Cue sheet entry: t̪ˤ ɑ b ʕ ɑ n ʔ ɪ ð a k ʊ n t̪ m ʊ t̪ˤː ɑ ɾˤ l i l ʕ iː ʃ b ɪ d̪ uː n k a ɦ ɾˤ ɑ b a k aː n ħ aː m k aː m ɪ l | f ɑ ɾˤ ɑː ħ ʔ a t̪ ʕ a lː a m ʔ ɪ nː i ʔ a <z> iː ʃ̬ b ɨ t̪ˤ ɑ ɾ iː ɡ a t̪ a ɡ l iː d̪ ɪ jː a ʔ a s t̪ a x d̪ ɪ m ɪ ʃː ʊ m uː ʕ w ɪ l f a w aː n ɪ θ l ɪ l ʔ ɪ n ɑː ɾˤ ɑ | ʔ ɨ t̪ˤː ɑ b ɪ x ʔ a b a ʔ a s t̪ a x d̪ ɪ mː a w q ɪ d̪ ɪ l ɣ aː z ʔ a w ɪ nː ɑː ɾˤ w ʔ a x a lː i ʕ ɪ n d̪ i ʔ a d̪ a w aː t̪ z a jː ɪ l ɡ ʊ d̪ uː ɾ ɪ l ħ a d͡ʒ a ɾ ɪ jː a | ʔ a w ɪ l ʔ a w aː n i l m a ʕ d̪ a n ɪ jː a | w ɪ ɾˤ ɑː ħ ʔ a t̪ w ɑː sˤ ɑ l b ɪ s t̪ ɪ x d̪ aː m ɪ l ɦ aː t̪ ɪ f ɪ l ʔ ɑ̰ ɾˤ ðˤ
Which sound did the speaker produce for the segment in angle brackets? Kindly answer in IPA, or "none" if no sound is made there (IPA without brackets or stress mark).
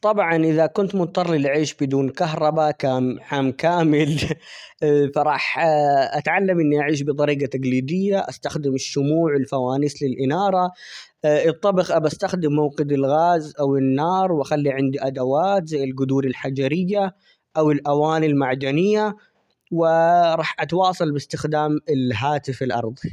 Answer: ʕ